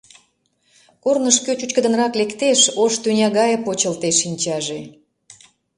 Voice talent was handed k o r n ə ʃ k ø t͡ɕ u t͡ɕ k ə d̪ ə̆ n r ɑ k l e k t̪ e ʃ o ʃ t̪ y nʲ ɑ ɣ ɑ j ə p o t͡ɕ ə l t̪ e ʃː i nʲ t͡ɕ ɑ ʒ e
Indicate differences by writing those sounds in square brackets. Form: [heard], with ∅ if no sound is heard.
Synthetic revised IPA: k o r n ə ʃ k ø t͡ɕ u t͡ɕ k ə d̪ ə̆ n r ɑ k l e k t̪ e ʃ o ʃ t̪ y nʲ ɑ ɣ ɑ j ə p o t͡ɕ ə l t̪ e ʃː i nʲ t͡ɕ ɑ ʒ e